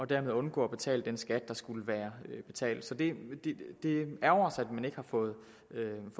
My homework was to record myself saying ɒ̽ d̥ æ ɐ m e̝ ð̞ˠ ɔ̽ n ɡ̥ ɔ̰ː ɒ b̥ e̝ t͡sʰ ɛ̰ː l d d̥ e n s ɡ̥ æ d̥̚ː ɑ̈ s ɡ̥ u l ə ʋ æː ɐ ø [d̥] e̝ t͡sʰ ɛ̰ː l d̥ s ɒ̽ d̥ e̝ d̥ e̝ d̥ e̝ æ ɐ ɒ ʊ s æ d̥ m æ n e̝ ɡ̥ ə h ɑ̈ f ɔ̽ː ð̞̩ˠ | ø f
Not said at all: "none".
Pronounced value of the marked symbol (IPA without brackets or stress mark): b̥